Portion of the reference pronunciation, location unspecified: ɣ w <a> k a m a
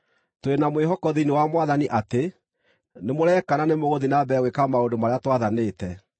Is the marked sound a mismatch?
yes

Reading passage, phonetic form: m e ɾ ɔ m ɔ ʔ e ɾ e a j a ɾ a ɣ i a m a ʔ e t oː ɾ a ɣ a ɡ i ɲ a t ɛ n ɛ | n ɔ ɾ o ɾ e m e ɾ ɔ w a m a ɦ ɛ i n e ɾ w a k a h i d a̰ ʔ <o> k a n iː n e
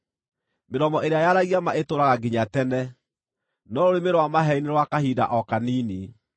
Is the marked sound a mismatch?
yes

